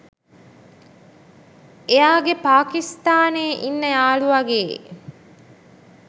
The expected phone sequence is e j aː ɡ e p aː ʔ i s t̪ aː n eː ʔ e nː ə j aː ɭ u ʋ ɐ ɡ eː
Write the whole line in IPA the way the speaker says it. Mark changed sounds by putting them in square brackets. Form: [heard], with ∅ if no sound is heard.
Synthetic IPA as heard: e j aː ɡ e p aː [k] i s t̪ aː n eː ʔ [i] nː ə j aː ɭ u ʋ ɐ ɡ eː